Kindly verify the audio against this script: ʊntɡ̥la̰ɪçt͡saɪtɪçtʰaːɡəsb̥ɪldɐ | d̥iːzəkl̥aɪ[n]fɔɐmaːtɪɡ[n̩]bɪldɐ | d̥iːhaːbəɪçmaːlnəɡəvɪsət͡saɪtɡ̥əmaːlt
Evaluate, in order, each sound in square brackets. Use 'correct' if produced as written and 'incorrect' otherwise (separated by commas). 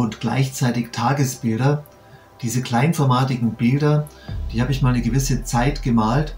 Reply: correct, incorrect